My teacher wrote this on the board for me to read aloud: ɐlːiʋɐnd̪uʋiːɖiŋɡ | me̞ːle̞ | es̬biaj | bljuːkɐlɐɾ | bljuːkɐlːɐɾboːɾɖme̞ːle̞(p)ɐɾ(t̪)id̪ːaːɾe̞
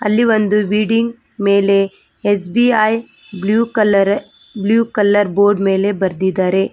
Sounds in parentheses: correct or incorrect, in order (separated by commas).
incorrect, incorrect